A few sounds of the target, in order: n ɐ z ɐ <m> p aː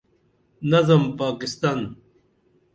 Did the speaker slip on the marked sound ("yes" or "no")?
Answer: no